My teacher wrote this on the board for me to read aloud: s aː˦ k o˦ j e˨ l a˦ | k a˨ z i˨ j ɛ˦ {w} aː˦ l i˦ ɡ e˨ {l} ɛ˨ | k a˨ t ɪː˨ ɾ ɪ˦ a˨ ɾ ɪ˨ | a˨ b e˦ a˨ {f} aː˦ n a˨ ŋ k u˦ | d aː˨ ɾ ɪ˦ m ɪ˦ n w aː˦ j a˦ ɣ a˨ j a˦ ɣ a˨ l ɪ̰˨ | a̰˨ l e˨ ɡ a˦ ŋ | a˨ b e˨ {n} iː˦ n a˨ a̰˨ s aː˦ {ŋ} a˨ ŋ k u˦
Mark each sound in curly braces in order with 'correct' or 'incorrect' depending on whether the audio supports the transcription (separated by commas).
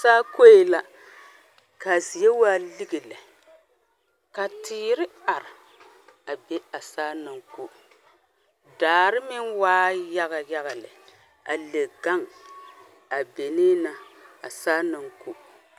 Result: correct, correct, incorrect, correct, incorrect